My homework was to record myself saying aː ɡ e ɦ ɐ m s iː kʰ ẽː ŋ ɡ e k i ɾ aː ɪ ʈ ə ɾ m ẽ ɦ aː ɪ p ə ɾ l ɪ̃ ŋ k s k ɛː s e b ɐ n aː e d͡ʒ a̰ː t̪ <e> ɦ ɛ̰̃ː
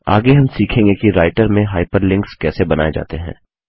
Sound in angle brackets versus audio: correct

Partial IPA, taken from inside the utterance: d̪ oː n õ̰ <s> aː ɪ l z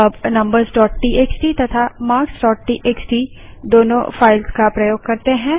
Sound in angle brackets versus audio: incorrect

